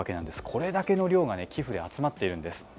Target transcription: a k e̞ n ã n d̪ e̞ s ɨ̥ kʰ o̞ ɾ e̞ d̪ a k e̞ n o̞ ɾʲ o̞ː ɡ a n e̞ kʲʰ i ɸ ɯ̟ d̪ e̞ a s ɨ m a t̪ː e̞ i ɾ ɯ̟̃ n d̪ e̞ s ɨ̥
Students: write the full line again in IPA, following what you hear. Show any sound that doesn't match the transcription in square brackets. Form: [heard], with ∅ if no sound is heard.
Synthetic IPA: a k e̞ n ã n d̪ e̞ s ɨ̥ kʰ o̞ ɾ e̞ d̪ a k e̞ n o̞ ɾʲ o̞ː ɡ a n e̞ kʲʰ i ɸ ɯ̟ d̪ e̞ a [t͡s] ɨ m a t̪ː e̞ i ɾ ɯ̟̃ n d̪ e̞ s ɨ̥